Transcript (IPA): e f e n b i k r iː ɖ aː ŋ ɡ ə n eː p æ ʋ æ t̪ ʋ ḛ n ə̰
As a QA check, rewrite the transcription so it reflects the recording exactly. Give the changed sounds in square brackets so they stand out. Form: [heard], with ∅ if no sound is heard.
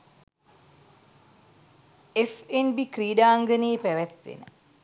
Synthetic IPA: e f e n b i k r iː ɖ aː ŋ ɡ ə n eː p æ ʋ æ t̪ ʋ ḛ n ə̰